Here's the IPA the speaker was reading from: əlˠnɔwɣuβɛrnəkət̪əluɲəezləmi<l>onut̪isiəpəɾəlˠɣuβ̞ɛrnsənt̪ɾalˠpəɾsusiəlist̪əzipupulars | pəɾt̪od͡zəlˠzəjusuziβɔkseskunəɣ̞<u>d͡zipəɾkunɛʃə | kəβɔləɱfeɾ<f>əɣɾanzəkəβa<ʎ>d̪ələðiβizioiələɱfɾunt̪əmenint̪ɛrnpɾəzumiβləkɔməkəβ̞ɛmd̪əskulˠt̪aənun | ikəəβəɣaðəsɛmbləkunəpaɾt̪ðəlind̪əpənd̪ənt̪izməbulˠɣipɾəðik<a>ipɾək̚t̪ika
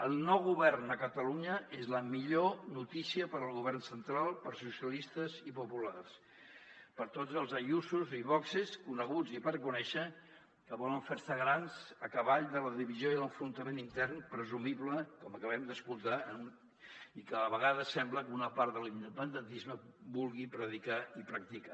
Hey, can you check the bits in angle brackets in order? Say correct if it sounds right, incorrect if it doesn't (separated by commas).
incorrect, correct, incorrect, correct, correct